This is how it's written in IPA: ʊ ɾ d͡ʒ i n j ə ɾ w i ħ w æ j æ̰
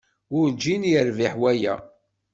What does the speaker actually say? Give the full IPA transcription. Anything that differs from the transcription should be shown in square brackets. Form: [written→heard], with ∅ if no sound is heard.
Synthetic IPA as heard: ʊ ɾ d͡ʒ i n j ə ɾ [w→v] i ħ w æ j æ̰